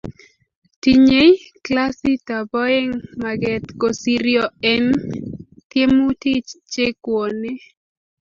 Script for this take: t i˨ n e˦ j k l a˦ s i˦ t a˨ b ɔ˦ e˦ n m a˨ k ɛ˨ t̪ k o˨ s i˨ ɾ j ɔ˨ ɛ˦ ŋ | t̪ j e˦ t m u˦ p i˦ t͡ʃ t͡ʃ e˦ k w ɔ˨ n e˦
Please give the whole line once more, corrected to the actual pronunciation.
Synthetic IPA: t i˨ ɲ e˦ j k l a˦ s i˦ t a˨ b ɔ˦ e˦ ŋ m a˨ ɡ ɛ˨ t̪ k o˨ s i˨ ɾ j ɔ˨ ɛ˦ n | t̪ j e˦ m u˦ t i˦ t͡ʃ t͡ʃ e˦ k w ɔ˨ n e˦